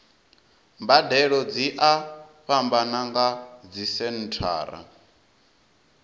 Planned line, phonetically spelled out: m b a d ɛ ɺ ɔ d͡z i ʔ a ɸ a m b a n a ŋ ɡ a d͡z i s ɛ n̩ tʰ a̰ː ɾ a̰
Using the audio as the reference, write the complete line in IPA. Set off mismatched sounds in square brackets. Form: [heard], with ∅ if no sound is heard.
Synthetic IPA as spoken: m b a d ɛ ɺ ɔ d͡z i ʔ a ɸ a m b a n a ŋ ɡ a d͡z i s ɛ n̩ tʰ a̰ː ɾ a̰

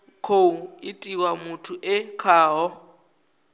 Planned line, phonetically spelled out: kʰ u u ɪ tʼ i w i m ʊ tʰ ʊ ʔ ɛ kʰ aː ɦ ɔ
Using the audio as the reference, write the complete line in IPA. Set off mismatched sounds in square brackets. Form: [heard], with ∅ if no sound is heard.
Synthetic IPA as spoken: kʰ [o] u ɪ tʼ i w [a] m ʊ tʰ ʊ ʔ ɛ kʰ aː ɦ ɔ

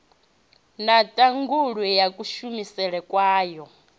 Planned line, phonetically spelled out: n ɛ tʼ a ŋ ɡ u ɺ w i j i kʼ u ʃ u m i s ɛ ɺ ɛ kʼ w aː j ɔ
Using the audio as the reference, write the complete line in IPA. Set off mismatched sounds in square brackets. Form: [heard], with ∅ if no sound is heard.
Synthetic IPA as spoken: n [a] tʼ a ŋ ɡ u ɺ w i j [a] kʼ u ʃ u m i s ɛ ɺ ɛ kʼ w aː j ɔ

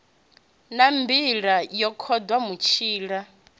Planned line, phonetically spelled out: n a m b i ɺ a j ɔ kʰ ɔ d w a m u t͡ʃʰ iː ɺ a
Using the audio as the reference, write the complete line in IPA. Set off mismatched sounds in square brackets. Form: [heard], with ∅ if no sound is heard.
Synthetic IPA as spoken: n a m b i ɺ a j ɔ kʰ ɔ d w a m u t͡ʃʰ iː ɺ a

